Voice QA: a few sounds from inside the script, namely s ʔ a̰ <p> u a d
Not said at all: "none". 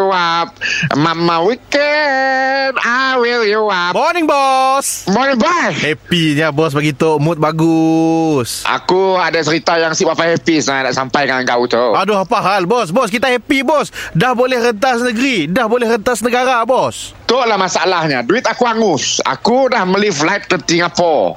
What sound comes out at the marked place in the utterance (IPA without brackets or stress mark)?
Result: k